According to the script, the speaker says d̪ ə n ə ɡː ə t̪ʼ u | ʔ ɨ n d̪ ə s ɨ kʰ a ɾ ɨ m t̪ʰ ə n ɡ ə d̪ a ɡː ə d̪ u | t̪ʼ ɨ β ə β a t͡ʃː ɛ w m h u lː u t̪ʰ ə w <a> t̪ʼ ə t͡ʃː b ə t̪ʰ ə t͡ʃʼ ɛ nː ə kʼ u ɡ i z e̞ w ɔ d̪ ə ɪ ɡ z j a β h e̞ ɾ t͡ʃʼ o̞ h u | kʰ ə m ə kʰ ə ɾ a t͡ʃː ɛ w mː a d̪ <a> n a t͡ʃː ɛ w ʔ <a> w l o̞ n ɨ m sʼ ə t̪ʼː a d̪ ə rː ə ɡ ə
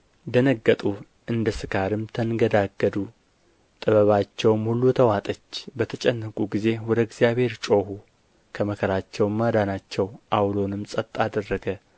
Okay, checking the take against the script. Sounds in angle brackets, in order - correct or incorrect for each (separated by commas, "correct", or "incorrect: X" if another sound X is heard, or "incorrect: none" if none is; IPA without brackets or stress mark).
correct, correct, correct